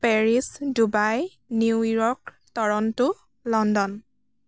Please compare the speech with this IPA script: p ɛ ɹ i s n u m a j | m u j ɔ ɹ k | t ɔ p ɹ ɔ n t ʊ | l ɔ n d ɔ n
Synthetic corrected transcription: p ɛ ɹ i s d u b a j | n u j ɔ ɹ k | t ɔ ɹ ɔ n t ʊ | l ɔ n d ɔ n